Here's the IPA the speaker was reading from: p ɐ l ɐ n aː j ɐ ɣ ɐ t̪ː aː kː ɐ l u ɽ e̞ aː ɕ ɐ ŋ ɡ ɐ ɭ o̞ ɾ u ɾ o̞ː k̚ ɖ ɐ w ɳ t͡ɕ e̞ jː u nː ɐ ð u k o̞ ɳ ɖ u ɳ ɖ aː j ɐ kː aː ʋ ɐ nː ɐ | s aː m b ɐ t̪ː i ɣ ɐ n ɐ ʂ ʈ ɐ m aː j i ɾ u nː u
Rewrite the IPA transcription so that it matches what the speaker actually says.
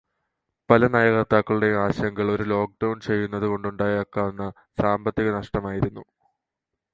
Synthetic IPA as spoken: p ɐ l ɐ n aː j ɐ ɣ ɐ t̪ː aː kː ɐ ɭ u ɽ e̞ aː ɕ ɐ ŋ ɡ ɐ ɭ o̞ ɾ u l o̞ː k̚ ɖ ɐ w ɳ t͡ɕ e̞ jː u nː ɐ ð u k o̞ ɳ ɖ u ɳ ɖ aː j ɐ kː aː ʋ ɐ nː ɐ | s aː m b ɐ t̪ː i ɣ ɐ n ɐ ʂ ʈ ɐ m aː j i ɾ u nː u